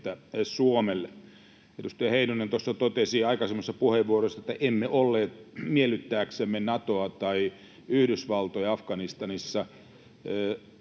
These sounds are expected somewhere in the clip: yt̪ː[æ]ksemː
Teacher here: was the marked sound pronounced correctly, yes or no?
no